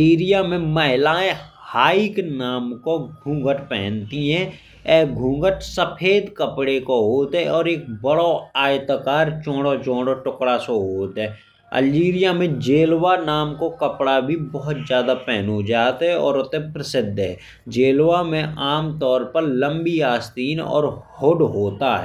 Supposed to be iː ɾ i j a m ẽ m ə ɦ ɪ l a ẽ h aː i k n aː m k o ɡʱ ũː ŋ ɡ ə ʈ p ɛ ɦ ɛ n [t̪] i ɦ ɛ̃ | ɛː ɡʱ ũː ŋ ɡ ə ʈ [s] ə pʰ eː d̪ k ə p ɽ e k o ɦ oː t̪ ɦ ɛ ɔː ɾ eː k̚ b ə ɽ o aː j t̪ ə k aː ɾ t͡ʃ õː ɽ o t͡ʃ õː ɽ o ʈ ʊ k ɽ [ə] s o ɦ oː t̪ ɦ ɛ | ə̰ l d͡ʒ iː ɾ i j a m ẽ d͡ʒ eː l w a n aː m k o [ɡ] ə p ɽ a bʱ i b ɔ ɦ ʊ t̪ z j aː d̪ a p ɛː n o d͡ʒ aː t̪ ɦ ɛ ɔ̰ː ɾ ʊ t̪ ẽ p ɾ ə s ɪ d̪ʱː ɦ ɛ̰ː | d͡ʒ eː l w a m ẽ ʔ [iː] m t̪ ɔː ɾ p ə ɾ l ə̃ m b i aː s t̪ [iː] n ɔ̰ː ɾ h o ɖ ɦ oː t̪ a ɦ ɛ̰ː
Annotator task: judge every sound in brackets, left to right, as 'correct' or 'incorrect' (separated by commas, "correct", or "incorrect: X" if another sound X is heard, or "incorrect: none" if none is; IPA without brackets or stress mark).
correct, correct, incorrect: a, incorrect: k, incorrect: aː, correct